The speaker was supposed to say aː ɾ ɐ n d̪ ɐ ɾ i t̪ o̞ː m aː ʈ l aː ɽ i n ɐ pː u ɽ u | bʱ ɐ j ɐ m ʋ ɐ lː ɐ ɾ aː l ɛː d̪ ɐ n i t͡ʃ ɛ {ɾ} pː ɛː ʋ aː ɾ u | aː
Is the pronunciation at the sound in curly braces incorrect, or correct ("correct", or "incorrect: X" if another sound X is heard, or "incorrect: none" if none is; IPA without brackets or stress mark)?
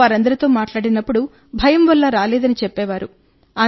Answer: incorrect: none